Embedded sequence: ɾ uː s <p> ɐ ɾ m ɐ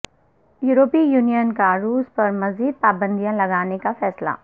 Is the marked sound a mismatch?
no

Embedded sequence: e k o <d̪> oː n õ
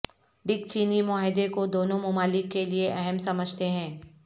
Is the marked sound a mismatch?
no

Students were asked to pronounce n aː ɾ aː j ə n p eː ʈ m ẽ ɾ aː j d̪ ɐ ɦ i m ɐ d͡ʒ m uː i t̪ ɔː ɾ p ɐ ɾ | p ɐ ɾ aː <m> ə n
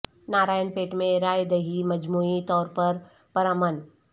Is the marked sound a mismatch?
no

